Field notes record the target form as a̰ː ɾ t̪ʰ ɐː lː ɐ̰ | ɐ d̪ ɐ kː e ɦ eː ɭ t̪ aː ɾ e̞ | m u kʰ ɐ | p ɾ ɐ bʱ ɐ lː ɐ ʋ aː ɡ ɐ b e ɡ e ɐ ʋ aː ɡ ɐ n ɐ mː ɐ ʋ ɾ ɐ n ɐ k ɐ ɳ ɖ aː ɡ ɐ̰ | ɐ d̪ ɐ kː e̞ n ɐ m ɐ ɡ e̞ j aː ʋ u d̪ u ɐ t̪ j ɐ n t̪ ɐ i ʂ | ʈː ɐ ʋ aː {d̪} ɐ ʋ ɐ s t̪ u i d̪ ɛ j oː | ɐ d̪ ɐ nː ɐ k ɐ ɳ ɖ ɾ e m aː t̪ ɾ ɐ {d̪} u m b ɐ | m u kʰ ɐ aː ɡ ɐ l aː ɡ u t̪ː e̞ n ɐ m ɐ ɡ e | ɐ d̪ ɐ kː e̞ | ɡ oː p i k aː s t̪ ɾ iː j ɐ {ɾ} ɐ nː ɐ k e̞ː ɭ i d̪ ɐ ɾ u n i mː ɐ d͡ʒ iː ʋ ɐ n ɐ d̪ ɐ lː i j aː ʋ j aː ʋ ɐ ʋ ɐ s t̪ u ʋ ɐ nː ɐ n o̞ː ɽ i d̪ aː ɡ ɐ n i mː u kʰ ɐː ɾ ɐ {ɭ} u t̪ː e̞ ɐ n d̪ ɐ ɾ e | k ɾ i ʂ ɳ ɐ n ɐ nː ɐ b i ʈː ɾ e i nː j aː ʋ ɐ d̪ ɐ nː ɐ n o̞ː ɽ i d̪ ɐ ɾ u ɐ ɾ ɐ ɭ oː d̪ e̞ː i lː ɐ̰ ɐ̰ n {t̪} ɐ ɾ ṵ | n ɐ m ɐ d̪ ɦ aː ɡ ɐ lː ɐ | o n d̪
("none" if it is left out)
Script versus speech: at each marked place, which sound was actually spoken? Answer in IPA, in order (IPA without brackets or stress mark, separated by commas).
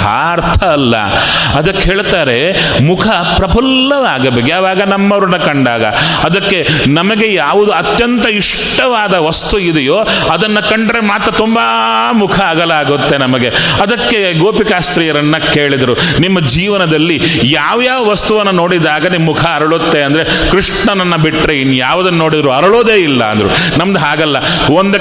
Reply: d̪, t̪, ɾ, ɭ, d̪